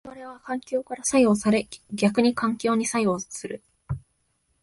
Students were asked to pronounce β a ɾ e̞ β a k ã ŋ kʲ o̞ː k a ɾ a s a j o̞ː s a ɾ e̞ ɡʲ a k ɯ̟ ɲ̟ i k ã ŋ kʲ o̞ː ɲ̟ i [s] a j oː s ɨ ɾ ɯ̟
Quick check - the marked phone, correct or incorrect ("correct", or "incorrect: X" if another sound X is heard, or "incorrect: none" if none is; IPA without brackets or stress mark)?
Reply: correct